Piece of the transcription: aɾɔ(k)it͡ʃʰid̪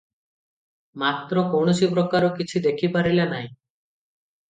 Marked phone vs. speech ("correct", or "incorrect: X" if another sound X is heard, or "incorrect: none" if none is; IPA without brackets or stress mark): correct